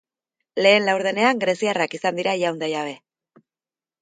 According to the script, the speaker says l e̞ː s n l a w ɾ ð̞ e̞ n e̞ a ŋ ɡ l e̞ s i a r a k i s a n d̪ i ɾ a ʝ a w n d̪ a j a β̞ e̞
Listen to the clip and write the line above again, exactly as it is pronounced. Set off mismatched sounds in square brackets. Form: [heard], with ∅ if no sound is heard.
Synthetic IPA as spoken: l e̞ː [∅] n l a w ɾ ð̞ e̞ n e̞ a ŋ ɡ [ɾ] e̞ s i a r a k i s a n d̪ i ɾ a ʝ a w n d̪ a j a β̞ e̞